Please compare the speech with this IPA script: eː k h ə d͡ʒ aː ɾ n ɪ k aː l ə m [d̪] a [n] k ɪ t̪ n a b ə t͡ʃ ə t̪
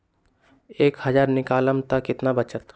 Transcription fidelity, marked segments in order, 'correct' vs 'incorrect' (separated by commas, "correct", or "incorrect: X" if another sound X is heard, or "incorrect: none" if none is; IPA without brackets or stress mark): incorrect: t̪, incorrect: none